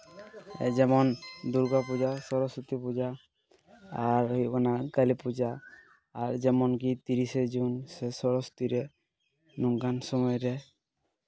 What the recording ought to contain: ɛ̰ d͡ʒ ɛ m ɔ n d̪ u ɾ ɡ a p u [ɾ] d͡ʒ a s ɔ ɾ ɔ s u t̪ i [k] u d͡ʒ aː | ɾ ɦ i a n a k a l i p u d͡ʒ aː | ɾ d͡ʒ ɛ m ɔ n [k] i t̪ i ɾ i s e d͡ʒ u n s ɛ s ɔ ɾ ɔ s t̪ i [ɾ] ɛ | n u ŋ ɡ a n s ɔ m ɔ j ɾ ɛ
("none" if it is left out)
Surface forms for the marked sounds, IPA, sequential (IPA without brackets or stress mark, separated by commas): none, p, k, ɾ